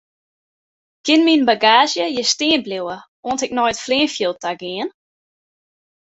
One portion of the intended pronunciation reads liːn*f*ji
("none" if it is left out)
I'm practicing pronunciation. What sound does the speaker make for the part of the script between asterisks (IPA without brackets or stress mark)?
f